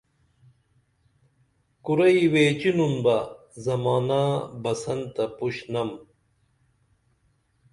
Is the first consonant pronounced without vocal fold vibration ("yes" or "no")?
yes